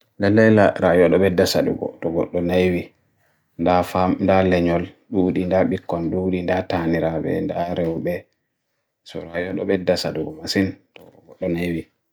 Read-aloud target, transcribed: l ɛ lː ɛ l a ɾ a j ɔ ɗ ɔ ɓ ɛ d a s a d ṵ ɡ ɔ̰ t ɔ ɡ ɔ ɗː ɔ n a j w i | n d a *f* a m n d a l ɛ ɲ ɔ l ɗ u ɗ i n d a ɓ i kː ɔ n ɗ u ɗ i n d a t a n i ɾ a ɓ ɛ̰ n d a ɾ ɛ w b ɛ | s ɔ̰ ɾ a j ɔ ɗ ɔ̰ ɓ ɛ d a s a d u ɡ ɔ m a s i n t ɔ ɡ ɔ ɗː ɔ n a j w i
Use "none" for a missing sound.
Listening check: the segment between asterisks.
f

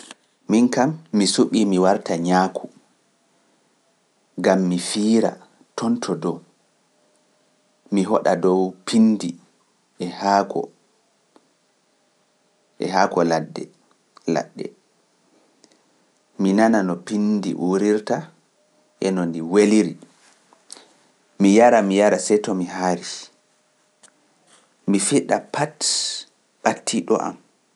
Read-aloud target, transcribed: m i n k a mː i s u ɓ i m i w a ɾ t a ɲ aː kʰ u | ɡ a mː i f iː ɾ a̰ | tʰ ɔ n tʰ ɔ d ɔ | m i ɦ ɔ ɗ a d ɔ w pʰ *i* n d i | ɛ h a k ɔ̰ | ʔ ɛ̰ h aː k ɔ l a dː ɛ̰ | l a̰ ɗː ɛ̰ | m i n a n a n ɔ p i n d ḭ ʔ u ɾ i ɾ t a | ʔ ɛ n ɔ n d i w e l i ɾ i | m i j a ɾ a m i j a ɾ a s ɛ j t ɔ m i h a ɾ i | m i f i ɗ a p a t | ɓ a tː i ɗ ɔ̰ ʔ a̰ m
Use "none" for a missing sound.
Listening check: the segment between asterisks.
i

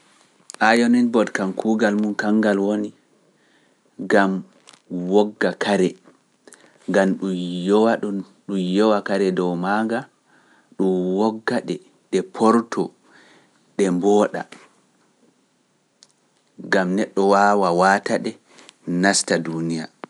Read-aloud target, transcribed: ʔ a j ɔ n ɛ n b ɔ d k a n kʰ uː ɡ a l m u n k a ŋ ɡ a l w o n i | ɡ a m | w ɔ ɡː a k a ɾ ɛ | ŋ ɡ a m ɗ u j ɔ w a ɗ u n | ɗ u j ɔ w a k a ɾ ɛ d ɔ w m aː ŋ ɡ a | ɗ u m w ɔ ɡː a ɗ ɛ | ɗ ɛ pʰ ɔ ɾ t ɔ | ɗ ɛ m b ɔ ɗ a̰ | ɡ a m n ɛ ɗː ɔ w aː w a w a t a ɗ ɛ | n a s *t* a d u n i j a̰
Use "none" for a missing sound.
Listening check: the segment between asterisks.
t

